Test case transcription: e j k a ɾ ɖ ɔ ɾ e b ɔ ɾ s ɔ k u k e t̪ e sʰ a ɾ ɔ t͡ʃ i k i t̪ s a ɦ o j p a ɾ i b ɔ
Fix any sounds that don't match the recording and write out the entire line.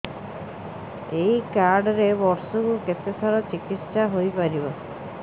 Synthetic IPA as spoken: e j k a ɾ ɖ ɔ ɾ e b ɔ ɾ s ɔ k u k e t̪ e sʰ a ɾ ɔ t͡ʃ i k i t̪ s a ɦ o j p a ɾ i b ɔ